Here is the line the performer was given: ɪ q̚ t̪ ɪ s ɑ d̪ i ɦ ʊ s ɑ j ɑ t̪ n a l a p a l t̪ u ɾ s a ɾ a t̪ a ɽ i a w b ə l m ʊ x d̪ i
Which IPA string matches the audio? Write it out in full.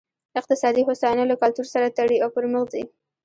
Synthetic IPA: ɪ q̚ t̪ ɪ s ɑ d̪ i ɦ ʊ s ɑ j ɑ n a l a k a l t̪ u ɾ s a ɾ a t̪ a ɽ i a w p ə ɾ m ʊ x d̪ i